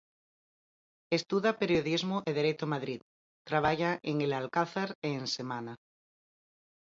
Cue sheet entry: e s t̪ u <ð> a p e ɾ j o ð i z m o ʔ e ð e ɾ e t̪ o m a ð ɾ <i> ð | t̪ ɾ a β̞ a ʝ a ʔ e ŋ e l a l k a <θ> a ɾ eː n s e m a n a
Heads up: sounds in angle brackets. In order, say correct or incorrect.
correct, correct, correct

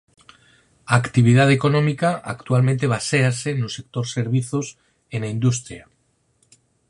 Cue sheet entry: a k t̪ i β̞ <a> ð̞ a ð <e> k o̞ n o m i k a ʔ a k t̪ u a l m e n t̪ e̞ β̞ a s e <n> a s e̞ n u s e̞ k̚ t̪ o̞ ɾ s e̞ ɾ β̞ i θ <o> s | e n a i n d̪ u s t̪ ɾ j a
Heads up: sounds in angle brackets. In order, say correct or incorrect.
incorrect: i, correct, incorrect: none, correct

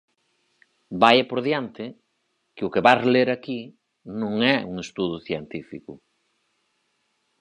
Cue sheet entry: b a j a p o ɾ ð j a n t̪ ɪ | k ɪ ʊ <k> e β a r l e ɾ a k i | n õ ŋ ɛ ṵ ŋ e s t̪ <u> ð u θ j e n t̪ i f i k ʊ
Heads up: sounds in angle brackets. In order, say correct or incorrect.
correct, correct

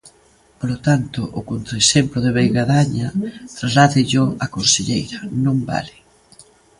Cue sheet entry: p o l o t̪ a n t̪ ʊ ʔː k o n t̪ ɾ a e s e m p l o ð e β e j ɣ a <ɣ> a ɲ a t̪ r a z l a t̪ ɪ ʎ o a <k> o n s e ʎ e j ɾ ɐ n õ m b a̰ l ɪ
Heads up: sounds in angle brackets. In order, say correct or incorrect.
incorrect: ð, correct

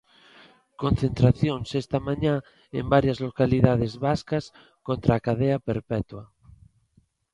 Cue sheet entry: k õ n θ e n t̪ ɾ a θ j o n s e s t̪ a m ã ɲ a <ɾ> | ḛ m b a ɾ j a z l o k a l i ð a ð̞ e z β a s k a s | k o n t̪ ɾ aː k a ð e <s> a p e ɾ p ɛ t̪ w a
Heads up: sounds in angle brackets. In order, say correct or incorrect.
incorrect: none, incorrect: none

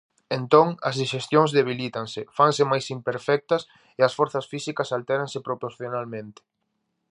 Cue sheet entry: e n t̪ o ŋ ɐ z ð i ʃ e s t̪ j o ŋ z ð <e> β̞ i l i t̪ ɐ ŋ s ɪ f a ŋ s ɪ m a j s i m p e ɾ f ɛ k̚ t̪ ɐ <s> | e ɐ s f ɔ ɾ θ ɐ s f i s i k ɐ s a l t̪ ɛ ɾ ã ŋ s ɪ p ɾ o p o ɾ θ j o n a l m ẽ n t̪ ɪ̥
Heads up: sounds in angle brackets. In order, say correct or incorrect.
correct, correct

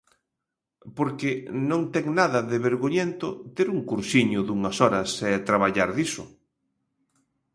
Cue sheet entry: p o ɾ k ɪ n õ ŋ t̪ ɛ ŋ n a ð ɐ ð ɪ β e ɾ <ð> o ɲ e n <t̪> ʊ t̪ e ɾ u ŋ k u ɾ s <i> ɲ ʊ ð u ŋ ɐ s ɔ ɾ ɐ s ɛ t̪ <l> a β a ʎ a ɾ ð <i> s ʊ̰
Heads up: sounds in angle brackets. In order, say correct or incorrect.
incorrect: ɣ, correct, correct, incorrect: ɾ, correct

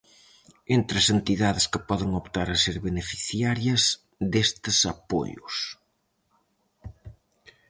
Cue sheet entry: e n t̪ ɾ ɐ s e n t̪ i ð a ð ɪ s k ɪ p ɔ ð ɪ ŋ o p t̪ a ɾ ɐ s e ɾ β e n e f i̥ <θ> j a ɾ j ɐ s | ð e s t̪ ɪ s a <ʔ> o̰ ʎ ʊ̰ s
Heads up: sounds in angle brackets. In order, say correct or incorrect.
correct, incorrect: p

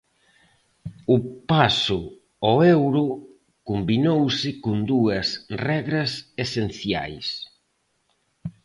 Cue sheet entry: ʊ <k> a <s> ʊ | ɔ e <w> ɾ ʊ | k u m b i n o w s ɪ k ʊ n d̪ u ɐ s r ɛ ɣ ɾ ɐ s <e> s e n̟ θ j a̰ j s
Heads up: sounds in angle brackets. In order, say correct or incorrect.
incorrect: p, correct, correct, correct

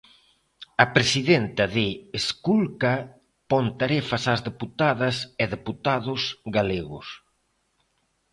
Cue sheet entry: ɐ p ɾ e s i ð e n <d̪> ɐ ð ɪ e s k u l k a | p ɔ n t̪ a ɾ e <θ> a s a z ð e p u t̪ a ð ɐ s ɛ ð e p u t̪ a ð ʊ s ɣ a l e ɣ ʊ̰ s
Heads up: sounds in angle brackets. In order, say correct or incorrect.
incorrect: t̪, incorrect: f

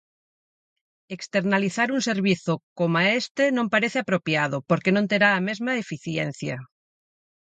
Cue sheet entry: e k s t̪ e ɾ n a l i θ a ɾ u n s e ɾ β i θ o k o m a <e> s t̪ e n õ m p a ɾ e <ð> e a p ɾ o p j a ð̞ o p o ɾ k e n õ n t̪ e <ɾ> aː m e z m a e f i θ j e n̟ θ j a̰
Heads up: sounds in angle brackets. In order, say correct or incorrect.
correct, incorrect: θ, correct

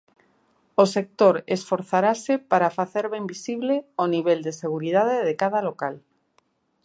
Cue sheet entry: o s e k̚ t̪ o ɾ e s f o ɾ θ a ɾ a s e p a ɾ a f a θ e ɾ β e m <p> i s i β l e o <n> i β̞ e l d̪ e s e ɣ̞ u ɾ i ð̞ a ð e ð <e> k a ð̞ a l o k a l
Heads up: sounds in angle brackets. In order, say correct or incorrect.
incorrect: b, correct, correct

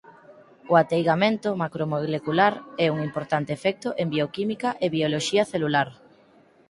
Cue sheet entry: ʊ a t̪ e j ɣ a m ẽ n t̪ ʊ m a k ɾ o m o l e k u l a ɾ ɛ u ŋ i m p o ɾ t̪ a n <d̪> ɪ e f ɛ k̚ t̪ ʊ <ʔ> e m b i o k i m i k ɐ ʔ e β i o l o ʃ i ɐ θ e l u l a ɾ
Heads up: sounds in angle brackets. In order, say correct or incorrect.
incorrect: t̪, correct

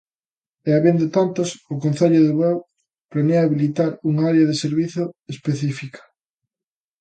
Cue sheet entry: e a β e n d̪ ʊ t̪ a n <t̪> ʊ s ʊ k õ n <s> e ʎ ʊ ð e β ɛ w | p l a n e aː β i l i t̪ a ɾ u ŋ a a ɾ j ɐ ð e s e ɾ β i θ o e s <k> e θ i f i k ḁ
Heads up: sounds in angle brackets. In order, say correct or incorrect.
correct, incorrect: θ, incorrect: p

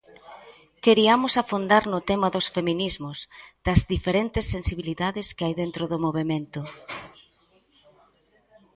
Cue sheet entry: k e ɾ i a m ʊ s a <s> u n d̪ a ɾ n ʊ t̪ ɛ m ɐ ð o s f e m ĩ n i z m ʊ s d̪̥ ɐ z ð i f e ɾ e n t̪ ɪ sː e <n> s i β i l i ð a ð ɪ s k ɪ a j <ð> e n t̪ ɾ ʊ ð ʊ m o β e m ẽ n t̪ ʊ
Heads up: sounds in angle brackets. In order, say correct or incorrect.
incorrect: f, correct, correct

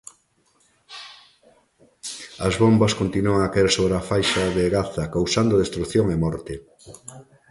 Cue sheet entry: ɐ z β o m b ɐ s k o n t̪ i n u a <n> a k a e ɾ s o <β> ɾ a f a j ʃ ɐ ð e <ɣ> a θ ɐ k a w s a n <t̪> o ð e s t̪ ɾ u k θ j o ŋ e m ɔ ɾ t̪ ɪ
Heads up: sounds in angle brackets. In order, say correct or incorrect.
incorrect: ŋ, correct, correct, incorrect: d̪

